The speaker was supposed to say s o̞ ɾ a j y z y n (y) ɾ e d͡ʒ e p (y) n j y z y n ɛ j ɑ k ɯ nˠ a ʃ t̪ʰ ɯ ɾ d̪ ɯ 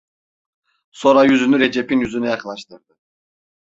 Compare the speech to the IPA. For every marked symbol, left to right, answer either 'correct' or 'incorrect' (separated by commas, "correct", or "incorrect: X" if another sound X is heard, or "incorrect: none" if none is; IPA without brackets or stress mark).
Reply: correct, incorrect: i